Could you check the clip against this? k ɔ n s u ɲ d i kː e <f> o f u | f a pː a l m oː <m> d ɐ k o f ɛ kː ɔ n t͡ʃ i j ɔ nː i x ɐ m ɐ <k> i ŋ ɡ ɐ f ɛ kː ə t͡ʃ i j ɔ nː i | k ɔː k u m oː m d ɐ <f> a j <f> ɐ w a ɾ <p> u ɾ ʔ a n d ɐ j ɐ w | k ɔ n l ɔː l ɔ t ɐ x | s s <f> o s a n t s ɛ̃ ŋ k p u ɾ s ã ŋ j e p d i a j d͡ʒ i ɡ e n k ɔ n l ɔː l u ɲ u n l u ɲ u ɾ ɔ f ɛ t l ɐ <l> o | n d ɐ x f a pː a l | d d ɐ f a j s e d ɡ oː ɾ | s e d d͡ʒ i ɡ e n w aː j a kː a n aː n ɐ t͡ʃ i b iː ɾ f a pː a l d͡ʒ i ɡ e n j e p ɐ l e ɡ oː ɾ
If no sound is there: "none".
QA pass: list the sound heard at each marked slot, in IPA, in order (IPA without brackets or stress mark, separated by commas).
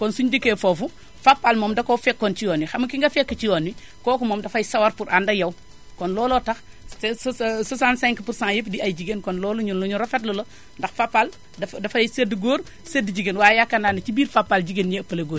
f, m, k, f, s, p, s, l